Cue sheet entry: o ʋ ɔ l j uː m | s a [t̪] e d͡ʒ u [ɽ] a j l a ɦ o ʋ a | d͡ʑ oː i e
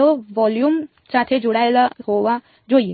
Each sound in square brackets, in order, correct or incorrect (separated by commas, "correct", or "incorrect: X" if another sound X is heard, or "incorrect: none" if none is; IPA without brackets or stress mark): incorrect: t̪ʰ, correct